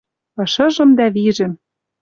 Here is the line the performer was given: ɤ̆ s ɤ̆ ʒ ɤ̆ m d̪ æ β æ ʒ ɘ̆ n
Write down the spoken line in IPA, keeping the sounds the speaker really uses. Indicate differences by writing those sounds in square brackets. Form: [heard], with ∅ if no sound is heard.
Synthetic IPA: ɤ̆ [ʃ] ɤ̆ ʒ ɤ̆ m d̪ æ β [i] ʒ ɘ̆ [m]